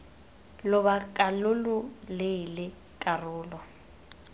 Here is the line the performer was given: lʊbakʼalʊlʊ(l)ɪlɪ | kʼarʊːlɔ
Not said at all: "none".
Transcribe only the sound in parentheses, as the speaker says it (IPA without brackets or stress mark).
l